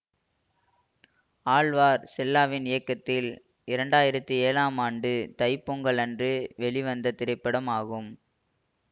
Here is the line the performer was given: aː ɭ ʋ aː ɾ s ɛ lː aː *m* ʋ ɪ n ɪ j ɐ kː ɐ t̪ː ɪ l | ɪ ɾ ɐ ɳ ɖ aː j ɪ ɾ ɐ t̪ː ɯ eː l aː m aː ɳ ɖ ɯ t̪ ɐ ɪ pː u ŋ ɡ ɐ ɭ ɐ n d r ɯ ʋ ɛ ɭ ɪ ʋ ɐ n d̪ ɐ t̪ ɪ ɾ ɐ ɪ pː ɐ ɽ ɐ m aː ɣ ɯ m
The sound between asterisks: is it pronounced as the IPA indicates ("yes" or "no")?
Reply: no